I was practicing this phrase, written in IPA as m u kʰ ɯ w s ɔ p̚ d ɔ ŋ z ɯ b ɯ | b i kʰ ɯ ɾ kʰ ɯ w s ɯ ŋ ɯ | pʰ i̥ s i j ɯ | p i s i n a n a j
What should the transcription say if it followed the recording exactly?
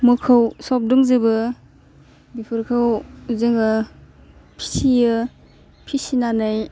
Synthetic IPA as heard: m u kʰ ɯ w s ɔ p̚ d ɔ ŋ z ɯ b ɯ | b i pʰ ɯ ɾ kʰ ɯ w z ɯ ŋ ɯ | pʰ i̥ s i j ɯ | pʰ i s i n a n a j